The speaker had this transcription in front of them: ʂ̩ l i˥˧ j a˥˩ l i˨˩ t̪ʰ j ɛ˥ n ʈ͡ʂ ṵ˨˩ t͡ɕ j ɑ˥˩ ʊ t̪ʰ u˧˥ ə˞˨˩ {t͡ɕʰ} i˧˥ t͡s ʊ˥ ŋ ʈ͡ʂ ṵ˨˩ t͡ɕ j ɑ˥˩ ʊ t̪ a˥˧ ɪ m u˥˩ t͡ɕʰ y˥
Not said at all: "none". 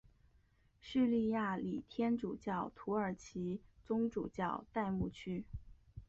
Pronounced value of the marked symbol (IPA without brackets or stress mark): t͡ɕʰ